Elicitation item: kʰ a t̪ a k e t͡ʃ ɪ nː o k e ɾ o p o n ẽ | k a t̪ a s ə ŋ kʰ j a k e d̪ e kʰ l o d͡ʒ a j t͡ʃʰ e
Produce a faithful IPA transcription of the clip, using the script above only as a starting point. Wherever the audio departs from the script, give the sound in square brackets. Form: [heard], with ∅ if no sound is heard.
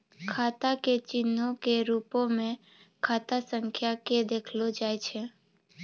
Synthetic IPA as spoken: kʰ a t̪ a k e t͡ʃ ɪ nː o k e ɾ [u] p o [m] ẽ | [kʰ] a t̪ a s ə ŋ kʰ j a k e d̪ e kʰ l o d͡ʒ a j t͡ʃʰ e